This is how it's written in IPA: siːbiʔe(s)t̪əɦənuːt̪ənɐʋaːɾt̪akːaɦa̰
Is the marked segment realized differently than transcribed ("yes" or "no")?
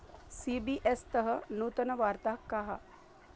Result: no